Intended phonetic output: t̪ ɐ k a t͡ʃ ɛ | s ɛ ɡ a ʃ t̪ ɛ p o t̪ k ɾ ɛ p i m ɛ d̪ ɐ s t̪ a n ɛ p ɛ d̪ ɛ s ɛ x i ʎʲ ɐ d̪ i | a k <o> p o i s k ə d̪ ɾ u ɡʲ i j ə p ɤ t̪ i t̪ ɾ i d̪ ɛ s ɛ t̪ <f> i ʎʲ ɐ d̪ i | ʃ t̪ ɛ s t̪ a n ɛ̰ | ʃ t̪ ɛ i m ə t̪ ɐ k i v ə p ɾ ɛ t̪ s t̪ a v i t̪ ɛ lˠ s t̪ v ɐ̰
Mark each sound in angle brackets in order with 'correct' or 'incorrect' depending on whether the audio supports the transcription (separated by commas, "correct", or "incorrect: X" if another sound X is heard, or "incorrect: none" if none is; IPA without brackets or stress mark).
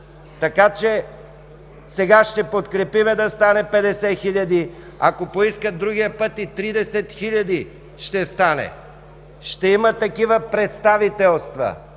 correct, incorrect: x